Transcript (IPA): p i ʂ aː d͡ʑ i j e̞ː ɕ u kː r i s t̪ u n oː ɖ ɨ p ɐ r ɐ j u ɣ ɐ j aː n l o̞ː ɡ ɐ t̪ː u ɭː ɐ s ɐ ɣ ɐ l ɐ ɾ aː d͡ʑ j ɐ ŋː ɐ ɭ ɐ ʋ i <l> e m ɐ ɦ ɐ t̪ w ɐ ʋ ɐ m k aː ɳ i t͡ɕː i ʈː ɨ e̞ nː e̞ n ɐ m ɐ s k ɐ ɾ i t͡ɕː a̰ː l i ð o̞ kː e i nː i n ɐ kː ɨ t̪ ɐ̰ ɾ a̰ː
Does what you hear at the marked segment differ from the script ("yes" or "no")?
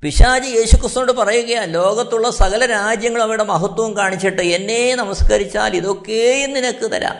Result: yes